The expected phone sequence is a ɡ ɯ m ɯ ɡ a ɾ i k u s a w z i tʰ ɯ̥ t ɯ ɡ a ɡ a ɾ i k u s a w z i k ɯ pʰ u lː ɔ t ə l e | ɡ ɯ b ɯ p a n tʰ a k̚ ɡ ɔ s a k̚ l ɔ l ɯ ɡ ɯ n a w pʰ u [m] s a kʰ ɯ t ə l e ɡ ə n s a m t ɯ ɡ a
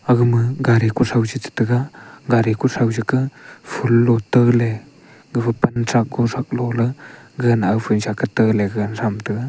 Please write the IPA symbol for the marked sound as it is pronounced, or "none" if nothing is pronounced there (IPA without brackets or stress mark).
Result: n